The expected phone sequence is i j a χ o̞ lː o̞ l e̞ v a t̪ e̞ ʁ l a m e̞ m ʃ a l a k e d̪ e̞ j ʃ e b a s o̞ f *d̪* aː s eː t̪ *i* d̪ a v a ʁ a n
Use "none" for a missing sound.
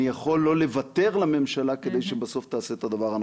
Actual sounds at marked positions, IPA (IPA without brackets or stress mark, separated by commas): t̪, a